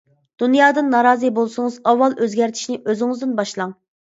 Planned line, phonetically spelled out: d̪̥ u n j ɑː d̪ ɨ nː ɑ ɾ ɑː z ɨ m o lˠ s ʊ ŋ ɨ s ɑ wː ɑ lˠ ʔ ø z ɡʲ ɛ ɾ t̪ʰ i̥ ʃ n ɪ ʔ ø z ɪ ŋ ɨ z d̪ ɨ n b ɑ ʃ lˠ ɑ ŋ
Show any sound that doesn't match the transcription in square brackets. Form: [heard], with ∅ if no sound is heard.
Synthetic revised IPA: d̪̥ u n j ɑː d̪ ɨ nː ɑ ɾ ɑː z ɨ [b] o lˠ s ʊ ŋ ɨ [z] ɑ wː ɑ lˠ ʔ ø z ɡʲ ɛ ɾ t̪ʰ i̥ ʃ n ɪ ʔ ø z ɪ ŋ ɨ z d̪ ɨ n b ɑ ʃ lˠ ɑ ŋ